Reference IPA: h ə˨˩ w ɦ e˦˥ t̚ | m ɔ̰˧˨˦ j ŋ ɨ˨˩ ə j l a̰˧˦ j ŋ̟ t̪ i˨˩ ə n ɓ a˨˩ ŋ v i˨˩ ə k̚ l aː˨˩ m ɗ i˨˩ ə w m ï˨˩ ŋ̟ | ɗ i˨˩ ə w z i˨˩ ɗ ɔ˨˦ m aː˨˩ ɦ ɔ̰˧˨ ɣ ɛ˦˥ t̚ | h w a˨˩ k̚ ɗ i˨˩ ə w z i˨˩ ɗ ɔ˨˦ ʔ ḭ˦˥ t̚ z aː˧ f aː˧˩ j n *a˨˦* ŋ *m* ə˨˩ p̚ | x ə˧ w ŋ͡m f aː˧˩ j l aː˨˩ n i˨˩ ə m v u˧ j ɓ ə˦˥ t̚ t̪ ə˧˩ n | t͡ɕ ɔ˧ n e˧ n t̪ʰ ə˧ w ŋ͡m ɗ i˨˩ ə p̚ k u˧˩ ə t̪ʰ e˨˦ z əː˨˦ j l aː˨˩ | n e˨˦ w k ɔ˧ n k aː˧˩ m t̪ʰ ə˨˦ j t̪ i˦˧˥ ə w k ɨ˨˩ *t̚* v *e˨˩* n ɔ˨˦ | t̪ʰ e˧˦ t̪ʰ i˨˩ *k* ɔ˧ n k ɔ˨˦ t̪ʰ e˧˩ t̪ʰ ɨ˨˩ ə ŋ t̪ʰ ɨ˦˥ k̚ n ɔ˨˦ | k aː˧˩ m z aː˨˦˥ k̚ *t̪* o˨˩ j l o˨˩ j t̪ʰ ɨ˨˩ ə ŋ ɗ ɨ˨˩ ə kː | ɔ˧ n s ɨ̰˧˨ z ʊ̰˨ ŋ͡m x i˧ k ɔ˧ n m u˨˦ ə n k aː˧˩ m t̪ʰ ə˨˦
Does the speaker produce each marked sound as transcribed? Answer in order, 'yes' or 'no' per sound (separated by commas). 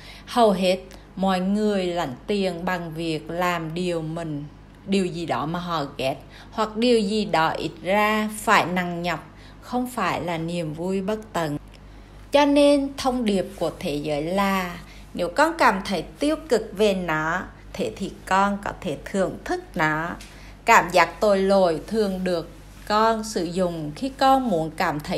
no, no, no, yes, yes, yes